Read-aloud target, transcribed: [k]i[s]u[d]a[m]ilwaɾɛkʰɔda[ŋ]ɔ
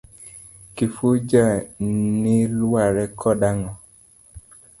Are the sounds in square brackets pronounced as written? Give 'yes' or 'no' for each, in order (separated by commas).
yes, no, no, no, yes